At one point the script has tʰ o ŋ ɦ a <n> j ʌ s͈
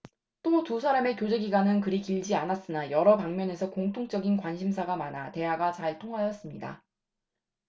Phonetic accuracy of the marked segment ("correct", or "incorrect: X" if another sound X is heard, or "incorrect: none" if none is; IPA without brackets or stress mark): incorrect: none